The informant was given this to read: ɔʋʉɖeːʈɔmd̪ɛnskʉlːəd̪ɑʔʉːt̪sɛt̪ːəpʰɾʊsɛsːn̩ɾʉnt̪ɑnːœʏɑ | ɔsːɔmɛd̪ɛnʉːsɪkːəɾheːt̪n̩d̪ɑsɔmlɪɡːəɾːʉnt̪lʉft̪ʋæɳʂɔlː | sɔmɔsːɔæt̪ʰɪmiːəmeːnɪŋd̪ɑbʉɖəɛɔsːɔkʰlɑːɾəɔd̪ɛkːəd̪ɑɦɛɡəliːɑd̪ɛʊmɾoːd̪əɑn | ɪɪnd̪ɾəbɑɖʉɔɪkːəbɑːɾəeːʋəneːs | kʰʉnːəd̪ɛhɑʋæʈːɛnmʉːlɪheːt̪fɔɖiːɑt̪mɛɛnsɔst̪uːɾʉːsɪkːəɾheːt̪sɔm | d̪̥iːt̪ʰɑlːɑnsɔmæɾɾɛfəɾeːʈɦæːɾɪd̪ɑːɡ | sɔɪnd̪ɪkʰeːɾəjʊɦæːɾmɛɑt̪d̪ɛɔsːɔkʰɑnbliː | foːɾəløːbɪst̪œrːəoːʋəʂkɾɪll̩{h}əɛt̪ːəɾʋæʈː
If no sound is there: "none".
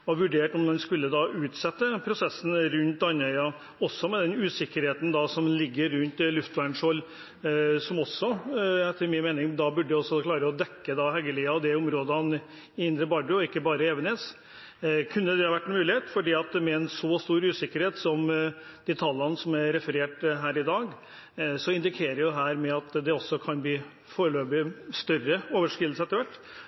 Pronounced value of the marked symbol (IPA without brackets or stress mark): s